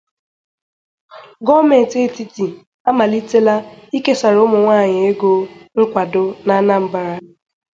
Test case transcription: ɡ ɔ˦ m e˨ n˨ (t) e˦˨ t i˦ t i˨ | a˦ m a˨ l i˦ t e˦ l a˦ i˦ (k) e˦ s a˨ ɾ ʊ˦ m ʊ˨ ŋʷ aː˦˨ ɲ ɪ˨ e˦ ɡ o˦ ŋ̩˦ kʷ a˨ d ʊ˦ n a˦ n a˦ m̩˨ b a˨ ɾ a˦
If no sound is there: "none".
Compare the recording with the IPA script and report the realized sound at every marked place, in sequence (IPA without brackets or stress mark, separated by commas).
t, k